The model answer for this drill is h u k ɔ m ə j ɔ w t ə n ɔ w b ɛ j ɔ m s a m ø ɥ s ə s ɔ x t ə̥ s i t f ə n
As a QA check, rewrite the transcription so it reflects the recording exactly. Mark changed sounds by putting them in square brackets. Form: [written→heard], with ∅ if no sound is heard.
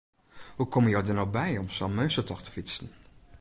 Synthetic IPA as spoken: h u k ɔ m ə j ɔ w [t→d] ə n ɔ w b ɛ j ɔ m s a m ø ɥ s ə [s→t] ɔ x t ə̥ [s→f] i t [f→s] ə n